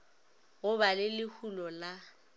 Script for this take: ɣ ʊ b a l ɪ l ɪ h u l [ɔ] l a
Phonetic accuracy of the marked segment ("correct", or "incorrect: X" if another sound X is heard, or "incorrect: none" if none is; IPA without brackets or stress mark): correct